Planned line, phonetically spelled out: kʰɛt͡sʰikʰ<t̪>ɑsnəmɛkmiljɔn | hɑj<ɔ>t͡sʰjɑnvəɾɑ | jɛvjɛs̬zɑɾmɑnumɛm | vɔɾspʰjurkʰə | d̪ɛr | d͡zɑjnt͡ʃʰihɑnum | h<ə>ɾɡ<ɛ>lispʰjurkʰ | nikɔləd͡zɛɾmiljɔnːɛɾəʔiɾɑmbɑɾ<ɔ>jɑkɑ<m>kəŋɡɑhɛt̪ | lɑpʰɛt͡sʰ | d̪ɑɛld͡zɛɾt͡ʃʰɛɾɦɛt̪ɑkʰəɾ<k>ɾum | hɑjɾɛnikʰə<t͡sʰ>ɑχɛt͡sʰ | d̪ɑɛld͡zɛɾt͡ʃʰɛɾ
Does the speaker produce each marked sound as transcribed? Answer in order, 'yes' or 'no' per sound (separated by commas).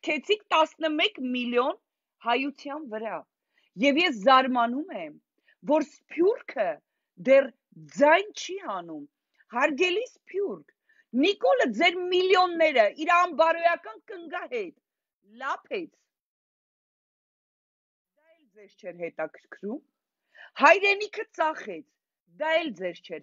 yes, no, no, yes, yes, no, no, no